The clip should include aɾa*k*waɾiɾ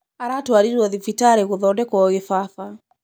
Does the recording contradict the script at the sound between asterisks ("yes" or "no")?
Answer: yes